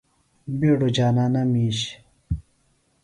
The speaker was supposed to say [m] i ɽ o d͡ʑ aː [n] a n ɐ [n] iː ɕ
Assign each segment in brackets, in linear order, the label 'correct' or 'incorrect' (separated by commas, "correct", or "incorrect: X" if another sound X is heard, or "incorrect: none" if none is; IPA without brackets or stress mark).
incorrect: b, correct, incorrect: m